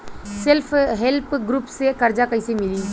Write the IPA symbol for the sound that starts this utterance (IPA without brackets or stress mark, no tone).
s